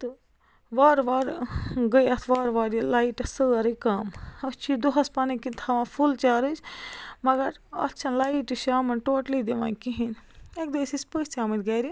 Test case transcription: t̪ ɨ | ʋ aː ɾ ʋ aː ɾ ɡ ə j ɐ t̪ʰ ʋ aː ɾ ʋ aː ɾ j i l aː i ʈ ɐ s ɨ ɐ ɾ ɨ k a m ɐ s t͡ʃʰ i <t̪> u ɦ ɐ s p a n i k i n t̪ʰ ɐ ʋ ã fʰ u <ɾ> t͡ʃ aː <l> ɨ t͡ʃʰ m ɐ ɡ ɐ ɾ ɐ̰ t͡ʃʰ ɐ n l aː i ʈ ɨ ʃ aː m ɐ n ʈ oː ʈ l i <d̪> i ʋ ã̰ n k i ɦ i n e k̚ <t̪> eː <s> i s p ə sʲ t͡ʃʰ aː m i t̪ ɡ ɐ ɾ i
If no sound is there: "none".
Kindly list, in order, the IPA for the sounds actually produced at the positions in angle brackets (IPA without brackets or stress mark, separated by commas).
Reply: d̪, l, ɾ, d̪, d̪, s